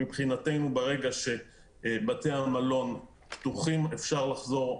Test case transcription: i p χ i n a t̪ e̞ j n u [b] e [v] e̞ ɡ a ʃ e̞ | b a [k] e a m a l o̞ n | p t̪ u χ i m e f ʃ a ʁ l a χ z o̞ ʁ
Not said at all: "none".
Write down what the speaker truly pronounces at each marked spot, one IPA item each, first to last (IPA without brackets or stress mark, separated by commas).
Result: b, ʁ, t